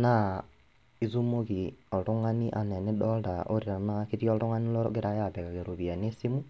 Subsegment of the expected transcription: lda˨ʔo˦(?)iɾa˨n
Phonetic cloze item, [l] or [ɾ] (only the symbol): ɾ